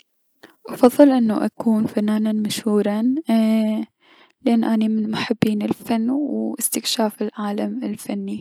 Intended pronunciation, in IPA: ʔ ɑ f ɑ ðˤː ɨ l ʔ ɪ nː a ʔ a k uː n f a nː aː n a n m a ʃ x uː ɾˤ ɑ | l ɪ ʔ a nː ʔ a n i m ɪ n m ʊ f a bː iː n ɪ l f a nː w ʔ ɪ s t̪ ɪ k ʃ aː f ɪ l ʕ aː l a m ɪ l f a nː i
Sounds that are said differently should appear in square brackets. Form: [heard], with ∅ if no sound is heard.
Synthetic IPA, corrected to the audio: ʔ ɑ f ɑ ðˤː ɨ l ʔ ɪ nː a ʔ a k uː n f a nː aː n a n m a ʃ [h] uː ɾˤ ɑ | l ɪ ʔ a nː ʔ a n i m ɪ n m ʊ [ħ] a bː iː n ɪ l f a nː w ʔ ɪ s t̪ ɪ k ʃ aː f ɪ l ʕ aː l a m ɪ l f a nː i

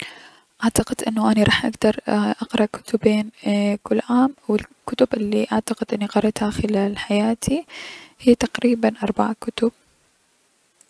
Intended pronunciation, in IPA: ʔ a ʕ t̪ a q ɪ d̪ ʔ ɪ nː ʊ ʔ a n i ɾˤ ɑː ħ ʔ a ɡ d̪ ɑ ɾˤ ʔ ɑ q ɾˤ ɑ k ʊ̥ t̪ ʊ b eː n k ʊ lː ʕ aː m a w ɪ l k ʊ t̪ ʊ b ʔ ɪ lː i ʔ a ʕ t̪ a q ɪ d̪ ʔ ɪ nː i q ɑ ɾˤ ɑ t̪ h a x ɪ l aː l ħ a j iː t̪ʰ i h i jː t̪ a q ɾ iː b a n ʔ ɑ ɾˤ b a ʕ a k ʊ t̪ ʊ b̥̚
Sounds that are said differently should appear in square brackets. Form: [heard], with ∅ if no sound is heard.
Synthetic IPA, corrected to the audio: ʔ a ʕ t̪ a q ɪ d̪ ʔ ɪ nː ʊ ʔ a n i ɾˤ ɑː ħ ʔ a ɡ d̪ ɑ ɾˤ ʔ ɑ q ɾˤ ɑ k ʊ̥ t̪ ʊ b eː n k ʊ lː ʕ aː m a w ɪ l k ʊ t̪ ʊ b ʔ ɪ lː i ʔ a ʕ t̪ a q ɪ d̪ ʔ ɪ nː i q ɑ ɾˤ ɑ t̪ h a x ɪ l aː l ħ a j [aː] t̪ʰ i h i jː t̪ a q ɾ iː b a n ʔ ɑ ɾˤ b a ʕ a k ʊ t̪ ʊ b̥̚

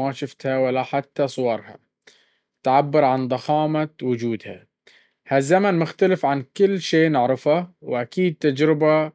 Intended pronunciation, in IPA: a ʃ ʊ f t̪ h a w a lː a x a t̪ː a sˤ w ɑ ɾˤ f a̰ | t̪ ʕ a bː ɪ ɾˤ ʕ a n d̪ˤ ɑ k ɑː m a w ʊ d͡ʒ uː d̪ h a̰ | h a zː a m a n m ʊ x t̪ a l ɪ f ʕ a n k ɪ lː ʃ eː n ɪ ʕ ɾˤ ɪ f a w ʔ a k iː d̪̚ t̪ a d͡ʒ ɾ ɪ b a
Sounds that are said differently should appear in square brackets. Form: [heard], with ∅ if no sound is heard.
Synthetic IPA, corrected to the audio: a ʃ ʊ f t̪ h a w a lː a [ħ] a t̪ː a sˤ w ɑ ɾˤ [h] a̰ | t̪ ʕ a bː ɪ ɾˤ ʕ a n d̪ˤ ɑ [x] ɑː m a w ʊ d͡ʒ uː d̪ h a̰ | h a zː a m a n m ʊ x t̪ a l ɪ f ʕ a n k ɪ lː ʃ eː n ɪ ʕ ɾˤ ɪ f a w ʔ a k iː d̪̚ t̪ a d͡ʒ ɾ ɪ b a

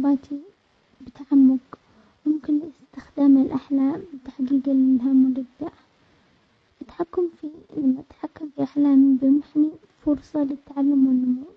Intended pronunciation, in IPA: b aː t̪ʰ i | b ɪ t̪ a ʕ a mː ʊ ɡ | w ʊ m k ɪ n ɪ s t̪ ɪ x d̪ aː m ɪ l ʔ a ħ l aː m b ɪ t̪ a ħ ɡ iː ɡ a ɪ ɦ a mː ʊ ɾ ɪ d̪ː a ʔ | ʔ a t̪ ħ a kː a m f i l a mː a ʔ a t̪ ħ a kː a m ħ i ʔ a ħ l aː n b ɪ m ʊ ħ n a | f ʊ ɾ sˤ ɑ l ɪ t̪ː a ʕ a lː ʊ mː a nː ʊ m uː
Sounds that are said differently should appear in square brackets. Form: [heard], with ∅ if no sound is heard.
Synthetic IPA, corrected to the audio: b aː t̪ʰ i | b ɪ t̪ a ʕ a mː ʊ ɡ | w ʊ m k ɪ n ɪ s t̪ ɪ x d̪ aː m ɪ l ʔ a ħ l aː m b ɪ t̪ a ħ ɡ iː ɡ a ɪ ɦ a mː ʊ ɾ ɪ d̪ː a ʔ | ʔ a t̪ ħ a kː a m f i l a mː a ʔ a t̪ ħ a kː a m [f] i ʔ a ħ l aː [m] b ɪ m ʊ ħ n [i] | f ʊ ɾ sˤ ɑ l ɪ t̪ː a ʕ a lː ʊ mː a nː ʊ m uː

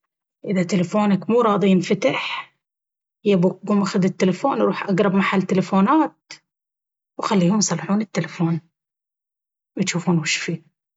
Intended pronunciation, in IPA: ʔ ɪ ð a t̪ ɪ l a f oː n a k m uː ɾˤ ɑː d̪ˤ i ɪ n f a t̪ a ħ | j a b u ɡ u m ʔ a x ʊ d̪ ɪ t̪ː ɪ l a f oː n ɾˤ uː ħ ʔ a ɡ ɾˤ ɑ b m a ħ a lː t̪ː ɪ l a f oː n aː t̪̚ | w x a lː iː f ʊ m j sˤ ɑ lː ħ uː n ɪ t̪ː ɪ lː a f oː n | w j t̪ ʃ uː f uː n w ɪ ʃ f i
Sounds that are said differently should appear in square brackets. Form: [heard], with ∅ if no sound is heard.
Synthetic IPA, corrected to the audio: ʔ ɪ ð a t̪ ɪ l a f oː n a k m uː ɾˤ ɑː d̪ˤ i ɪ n f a t̪ a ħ | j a b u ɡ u m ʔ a x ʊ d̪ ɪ t̪ː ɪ l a f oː n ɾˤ uː ħ ʔ a ɡ ɾˤ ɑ b m a ħ a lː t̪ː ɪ l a f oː n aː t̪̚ | w x a lː iː [h] ʊ m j sˤ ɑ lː ħ uː n ɪ t̪ː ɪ [l] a f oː n | w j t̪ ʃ uː f uː n w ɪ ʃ f i

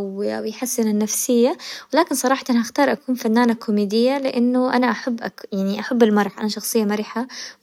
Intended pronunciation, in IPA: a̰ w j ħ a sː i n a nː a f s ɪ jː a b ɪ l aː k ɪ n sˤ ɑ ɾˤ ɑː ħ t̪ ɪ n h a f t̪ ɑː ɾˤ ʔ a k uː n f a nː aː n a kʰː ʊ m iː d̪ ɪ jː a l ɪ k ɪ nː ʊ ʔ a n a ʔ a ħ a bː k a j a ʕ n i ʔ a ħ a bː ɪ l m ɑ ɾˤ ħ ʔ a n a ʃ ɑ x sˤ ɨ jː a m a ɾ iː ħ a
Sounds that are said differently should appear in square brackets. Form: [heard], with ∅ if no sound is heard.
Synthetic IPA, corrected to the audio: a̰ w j ħ a sː [ɪ] n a nː a f s ɪ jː a [w] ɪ l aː k ɪ n sˤ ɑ ɾˤ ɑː ħ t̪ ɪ n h a [x] t̪ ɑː ɾˤ ʔ a k uː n f a nː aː n a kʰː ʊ m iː d̪ ɪ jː a l ɪ [ʔ] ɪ nː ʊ ʔ a n a ʔ a ħ a bː [ʔ] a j a ʕ n i ʔ a ħ a bː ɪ l m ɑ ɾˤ ħ ʔ a n a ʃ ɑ x sˤ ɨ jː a m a ɾ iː ħ a

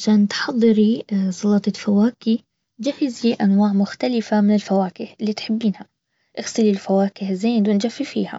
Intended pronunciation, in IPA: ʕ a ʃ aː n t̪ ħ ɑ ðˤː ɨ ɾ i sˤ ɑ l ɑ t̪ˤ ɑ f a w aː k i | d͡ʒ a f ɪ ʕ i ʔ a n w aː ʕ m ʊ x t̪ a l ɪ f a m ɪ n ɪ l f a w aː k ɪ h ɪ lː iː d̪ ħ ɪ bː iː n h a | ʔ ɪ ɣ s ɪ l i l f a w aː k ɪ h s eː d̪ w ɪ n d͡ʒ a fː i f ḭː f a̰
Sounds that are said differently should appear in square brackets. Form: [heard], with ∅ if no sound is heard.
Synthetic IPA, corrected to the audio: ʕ a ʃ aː n t̪ ħ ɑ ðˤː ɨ ɾ i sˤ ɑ l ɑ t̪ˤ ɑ f a w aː k i | d͡ʒ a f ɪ [z] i ʔ a n w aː ʕ m ʊ x t̪ a l ɪ f a m ɪ n ɪ l f a w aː k ɪ h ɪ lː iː [t̪] ħ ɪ bː iː n h a | ʔ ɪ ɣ s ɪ l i l f a w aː k ɪ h [z] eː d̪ w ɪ n d͡ʒ a fː i f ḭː [h] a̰

